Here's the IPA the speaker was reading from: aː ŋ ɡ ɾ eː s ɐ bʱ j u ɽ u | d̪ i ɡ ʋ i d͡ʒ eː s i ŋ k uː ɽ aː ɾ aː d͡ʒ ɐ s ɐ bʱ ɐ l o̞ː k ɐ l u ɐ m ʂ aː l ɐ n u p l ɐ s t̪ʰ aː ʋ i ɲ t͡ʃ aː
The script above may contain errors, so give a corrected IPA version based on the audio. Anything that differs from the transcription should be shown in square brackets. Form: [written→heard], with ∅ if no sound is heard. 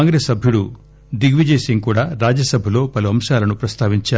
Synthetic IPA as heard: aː ŋ ɡ ɾ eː s ɐ bʱ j u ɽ u | d̪ i ɡ ʋ i d͡ʒ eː s i ŋ k uː ɽ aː ɾ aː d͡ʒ ɐ s ɐ bʱ ɐ l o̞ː [k→p] ɐ l u ɐ m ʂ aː l ɐ n u p [l→ɾ] ɐ s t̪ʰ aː ʋ i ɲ t͡ʃ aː